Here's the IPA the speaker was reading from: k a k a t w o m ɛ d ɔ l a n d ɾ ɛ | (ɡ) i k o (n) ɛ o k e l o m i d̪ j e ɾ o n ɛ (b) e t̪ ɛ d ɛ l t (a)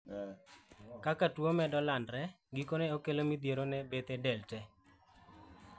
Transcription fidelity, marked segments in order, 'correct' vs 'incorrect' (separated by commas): correct, correct, correct, incorrect